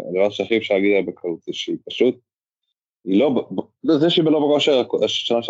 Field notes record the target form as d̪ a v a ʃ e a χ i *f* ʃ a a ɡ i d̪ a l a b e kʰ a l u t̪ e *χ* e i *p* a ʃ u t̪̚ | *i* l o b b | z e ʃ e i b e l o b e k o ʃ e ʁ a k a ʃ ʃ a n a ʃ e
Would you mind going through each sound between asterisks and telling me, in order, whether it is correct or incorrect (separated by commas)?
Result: correct, incorrect, correct, correct